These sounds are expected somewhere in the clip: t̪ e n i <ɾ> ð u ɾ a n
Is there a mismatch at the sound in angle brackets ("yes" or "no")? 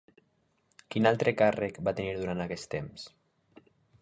no